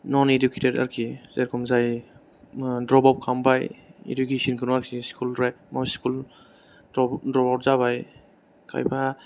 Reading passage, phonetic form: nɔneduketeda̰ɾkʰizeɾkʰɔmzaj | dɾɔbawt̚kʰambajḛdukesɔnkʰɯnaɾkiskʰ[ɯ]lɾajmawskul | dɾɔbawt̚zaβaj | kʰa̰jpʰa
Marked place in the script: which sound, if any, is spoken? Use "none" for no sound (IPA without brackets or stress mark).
u